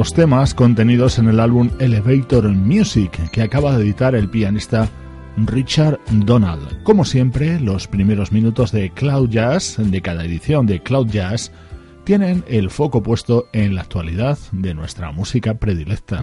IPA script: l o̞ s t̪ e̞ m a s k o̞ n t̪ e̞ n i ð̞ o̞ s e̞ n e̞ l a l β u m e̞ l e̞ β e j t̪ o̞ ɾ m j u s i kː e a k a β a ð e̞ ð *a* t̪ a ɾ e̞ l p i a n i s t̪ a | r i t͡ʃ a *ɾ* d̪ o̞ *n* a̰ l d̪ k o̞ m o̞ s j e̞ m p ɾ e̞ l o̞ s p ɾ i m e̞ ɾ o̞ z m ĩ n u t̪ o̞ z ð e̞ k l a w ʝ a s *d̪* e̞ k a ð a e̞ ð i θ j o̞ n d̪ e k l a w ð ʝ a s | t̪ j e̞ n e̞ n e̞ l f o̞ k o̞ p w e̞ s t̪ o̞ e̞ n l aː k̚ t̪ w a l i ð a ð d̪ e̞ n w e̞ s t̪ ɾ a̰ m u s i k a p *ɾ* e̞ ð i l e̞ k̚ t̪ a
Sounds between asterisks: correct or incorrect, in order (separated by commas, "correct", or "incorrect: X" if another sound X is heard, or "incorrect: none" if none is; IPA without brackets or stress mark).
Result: incorrect: i, correct, correct, correct, correct